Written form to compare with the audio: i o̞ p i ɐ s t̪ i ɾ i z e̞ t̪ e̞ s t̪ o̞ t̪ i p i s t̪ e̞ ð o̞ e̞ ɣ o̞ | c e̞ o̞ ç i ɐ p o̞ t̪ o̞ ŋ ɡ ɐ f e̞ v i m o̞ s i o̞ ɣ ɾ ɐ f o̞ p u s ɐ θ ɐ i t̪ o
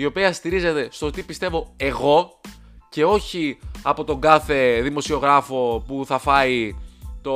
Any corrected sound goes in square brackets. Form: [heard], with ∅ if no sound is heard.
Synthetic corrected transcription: i o̞ p i ɐ s t̪ i ɾ i z e̞ t̪ e̞ s t̪ o̞ t̪ i p i s t̪ e̞ [v] o̞ e̞ ɣ o̞ | c e̞ o̞ ç i ɐ p o̞ t̪ o̞ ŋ ɡ ɐ [θ] e̞ [ð] i m o̞ s i o̞ ɣ ɾ ɐ f o̞ p u [θ] ɐ [f] ɐ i t̪ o